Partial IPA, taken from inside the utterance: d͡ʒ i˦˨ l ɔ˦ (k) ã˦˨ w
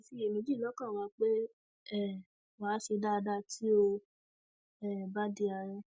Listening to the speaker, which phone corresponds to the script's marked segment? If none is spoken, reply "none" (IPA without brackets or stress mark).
k